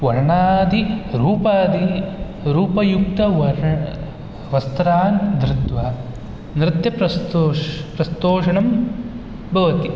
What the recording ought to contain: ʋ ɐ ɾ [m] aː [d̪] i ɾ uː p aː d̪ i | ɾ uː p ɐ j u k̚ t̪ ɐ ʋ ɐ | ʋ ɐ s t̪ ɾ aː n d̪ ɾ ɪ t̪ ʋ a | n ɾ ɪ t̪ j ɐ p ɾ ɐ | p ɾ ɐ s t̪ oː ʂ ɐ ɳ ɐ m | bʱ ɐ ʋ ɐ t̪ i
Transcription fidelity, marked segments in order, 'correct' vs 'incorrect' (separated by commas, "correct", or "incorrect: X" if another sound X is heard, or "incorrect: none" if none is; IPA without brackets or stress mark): incorrect: ɳ, correct